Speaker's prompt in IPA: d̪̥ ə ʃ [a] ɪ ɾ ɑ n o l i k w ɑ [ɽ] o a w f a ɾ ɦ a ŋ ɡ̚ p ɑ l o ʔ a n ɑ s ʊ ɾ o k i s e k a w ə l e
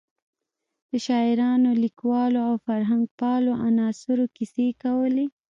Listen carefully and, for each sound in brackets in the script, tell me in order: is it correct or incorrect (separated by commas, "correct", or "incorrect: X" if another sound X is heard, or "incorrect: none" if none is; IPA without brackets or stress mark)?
incorrect: ɑ, incorrect: l